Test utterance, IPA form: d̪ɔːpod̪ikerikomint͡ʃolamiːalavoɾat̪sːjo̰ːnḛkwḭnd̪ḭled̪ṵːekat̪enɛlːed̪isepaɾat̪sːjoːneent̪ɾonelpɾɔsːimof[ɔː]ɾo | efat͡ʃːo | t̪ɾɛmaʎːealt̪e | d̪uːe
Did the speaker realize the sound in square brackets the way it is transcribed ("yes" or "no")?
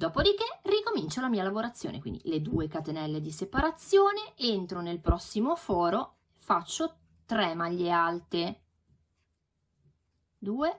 yes